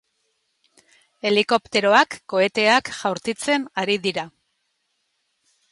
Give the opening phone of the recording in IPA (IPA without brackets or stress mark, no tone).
e̞